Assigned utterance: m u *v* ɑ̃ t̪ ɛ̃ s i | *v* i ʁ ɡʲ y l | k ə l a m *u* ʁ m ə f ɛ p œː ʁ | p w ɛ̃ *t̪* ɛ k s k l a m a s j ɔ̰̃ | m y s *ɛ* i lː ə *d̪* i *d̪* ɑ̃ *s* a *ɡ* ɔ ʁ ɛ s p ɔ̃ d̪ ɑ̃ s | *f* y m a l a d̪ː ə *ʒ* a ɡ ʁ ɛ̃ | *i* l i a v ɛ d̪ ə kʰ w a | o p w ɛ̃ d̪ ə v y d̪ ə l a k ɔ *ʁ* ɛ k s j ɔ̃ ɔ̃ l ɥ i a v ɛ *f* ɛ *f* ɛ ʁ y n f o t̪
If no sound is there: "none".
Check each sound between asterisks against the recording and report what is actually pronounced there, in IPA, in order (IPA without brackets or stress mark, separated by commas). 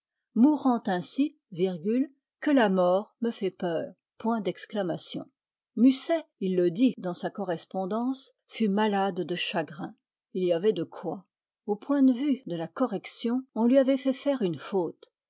ʁ, v, ɔ, d̪, ɛ, d̪, d̪, s, k, f, ʃ, i, ʁ, f, f